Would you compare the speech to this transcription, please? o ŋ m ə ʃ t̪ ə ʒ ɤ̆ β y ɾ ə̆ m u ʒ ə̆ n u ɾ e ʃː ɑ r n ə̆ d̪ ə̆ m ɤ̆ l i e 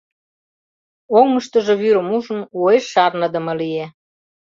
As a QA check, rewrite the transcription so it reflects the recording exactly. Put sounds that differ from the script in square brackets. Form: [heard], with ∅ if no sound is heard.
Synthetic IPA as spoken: o ŋ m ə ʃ t̪ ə ʒ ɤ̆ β y ɾ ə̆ m u ʒ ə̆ n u [∅] e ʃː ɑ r n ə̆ d̪ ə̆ m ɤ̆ l i e